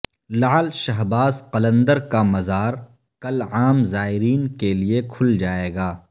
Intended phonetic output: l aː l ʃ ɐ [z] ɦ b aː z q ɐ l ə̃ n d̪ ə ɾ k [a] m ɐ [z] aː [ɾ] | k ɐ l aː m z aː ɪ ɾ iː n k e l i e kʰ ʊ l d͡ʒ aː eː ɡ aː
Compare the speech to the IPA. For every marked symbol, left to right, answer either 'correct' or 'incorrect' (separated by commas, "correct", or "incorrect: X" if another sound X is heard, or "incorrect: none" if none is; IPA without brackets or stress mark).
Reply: incorrect: none, correct, correct, correct